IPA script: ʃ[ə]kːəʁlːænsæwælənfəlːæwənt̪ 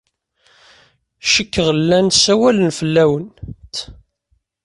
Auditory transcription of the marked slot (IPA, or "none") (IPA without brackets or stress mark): ə